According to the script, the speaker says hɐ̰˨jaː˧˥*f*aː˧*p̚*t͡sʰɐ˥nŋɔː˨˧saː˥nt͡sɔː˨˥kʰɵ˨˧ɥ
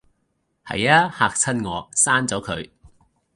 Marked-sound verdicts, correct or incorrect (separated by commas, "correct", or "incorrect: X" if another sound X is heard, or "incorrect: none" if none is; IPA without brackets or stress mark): incorrect: h, incorrect: k̚